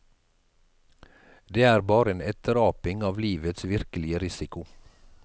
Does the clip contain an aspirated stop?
no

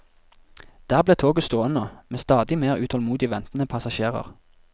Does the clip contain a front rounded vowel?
no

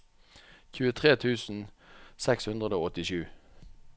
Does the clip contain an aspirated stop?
yes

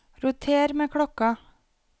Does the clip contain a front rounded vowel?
no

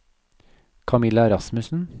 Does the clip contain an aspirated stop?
yes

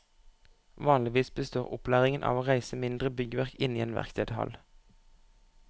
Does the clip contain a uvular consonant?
yes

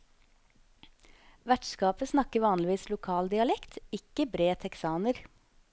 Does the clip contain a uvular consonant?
no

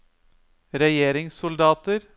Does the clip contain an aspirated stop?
no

